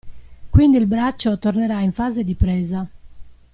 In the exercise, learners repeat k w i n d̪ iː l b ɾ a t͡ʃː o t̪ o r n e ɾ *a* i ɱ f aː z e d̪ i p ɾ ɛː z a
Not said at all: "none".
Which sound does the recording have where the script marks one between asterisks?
a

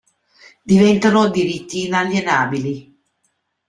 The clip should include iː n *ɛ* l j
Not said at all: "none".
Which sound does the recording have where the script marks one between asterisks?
a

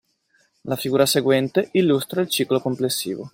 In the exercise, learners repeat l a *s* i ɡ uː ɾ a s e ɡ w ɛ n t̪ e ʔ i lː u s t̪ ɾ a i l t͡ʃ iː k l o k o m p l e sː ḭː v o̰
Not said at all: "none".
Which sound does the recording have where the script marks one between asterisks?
f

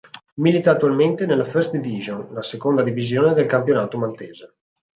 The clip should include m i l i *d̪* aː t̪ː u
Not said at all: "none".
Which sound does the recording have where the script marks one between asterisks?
t̪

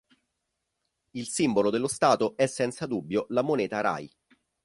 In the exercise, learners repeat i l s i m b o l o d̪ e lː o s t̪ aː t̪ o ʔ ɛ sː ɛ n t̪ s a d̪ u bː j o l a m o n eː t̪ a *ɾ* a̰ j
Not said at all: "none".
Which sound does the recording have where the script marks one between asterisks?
ɾ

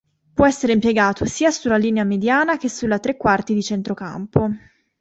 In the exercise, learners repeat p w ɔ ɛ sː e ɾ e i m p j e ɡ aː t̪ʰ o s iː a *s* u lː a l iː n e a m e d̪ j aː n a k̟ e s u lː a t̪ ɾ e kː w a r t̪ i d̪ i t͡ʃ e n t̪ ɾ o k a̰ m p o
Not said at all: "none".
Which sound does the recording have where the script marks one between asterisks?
s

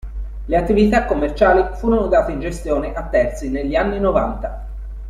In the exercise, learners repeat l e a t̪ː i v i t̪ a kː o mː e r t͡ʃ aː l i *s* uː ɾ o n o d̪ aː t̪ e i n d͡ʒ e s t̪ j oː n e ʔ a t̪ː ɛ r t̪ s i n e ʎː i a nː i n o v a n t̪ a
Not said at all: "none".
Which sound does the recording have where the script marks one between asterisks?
f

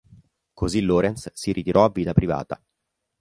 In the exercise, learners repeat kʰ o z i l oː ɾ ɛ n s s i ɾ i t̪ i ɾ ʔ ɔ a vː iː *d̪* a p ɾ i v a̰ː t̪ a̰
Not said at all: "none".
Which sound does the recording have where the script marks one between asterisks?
t̪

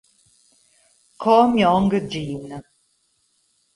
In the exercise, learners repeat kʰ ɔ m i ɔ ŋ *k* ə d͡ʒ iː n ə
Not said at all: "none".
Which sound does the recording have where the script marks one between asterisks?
ɡ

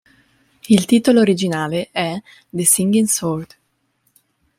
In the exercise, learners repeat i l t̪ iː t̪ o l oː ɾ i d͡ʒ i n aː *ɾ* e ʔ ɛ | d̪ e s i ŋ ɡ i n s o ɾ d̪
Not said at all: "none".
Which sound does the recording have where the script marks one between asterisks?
l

